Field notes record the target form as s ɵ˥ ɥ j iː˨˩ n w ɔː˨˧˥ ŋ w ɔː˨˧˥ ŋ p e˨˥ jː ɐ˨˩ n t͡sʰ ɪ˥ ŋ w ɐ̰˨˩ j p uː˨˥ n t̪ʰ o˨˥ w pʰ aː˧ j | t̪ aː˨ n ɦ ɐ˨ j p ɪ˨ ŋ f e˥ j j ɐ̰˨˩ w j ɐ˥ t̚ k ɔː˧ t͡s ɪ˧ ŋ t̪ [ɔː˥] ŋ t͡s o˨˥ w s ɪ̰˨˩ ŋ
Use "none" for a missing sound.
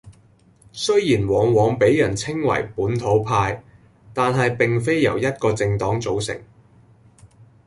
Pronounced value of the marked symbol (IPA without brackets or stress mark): ɔː˨˥